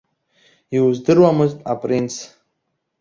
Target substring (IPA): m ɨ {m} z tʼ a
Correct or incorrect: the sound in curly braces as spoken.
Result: incorrect: none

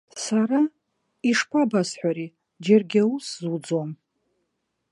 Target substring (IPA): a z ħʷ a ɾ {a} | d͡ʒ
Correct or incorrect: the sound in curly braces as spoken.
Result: incorrect: i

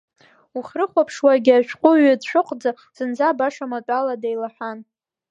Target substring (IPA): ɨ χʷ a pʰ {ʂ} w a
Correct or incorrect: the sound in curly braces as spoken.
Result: correct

